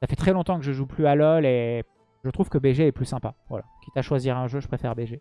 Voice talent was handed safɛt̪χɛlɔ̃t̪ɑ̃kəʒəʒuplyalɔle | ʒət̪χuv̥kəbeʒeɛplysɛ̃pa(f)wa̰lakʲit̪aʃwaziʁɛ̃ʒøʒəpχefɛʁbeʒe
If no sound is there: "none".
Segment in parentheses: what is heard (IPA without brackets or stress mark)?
v